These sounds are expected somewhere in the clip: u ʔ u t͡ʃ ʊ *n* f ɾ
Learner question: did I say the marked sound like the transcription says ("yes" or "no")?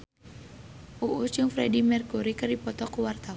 no